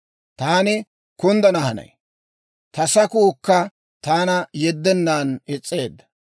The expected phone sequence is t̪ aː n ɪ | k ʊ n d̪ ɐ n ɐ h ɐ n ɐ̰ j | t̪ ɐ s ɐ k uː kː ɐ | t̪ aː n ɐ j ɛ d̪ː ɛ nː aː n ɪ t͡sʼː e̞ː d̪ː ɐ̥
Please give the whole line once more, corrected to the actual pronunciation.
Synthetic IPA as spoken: t̪ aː n ɪ | k ʊ n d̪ ɐ n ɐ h ɐ n ɐ̰ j | t̪ ɐ s ɐ k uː kː ɐ | t̪ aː n ɐ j ɛ d̪ː ɛ nː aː n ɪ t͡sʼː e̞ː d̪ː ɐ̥